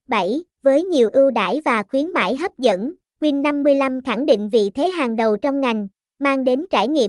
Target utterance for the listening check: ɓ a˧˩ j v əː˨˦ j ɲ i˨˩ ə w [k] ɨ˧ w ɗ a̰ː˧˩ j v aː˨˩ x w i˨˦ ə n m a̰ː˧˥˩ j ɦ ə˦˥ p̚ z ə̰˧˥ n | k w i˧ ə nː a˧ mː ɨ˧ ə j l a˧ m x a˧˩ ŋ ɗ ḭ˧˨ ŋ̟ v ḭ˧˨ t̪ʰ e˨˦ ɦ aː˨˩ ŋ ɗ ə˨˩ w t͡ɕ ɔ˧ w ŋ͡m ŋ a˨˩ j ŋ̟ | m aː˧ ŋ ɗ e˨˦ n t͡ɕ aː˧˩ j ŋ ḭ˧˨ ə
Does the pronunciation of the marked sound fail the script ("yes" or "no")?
yes